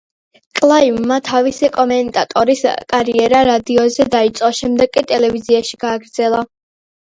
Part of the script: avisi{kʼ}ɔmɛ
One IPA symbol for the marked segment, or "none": kʼ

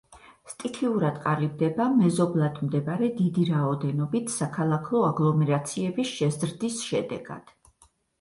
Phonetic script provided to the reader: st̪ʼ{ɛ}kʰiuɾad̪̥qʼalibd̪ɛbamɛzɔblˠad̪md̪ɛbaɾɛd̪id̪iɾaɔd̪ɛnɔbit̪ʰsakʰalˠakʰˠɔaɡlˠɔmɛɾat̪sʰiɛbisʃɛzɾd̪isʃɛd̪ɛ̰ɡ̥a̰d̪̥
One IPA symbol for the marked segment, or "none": i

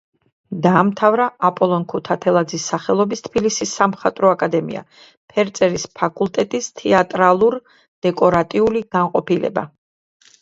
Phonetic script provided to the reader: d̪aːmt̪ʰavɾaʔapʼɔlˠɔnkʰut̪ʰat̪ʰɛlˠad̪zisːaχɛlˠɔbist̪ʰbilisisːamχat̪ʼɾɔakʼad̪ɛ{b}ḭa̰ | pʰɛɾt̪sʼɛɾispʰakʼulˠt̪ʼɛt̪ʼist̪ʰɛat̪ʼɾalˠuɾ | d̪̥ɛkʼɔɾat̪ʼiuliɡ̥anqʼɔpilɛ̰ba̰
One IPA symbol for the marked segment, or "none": m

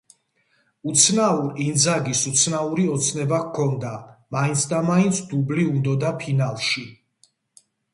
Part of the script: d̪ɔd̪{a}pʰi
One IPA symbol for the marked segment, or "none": a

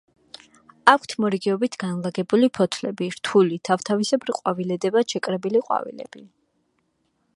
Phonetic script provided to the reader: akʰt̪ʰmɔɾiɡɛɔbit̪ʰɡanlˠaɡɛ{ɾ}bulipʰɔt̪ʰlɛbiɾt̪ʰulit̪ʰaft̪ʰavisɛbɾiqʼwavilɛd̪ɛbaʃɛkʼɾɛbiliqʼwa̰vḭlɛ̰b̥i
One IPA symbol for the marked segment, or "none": none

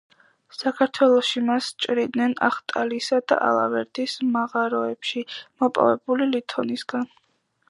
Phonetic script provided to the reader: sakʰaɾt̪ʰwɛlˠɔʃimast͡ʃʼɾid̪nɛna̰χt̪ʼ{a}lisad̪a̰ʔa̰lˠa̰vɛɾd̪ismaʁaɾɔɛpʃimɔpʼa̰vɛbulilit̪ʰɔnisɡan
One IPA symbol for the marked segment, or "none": a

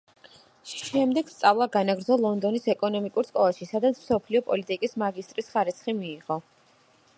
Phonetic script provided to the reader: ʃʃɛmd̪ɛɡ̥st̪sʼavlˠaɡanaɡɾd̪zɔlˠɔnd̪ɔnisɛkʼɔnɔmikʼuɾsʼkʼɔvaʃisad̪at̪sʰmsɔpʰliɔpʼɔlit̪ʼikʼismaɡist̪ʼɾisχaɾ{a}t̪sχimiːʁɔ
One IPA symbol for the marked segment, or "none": i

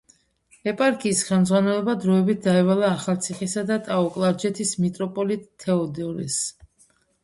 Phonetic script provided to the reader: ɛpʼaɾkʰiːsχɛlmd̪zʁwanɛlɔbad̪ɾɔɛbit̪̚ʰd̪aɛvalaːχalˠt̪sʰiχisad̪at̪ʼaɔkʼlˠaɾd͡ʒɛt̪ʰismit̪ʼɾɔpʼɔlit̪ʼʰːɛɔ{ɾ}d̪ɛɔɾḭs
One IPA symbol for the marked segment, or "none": none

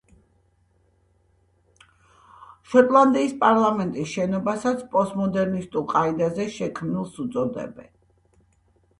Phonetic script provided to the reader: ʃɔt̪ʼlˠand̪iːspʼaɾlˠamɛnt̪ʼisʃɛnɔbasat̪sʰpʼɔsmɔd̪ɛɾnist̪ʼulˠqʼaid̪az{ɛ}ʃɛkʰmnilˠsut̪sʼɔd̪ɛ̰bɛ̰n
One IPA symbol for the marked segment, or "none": ɛ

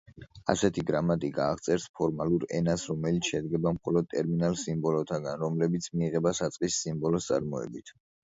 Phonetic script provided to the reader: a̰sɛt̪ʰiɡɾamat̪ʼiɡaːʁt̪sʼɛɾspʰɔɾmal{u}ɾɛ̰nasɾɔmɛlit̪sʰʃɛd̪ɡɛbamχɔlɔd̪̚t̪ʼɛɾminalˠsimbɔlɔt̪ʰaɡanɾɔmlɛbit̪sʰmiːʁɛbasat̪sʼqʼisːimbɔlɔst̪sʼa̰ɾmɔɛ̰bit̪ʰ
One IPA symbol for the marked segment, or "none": u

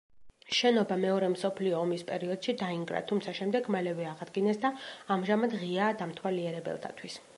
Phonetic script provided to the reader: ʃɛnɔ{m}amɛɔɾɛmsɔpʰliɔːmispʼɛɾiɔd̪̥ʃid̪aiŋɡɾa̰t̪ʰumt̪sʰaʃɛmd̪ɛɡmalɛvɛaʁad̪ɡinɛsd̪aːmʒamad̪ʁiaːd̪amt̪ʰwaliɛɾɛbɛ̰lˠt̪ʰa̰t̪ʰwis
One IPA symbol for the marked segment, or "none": b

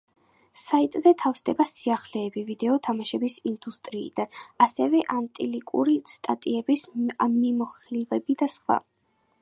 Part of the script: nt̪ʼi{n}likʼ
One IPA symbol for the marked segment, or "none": none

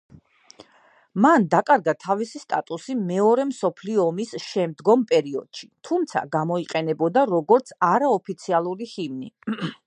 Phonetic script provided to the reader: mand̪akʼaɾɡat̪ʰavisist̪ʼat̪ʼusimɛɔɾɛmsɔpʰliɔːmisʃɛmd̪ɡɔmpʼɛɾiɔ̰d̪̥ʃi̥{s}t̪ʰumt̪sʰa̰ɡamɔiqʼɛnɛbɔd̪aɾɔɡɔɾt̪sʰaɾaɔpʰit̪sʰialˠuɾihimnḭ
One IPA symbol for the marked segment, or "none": none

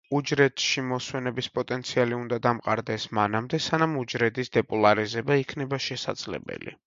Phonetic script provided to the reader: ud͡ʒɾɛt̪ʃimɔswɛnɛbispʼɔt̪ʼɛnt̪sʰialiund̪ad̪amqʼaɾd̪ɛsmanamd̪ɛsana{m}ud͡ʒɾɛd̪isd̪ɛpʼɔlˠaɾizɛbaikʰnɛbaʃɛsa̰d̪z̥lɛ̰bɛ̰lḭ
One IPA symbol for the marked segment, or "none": m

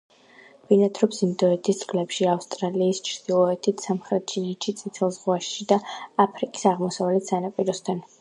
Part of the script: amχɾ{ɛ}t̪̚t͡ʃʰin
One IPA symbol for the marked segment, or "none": ɛ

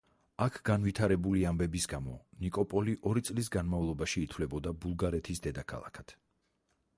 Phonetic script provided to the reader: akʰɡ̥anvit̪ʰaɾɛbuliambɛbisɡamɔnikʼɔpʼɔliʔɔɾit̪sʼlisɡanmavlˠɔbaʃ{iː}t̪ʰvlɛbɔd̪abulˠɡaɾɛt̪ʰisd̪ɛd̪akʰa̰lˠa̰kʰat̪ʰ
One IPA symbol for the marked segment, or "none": iː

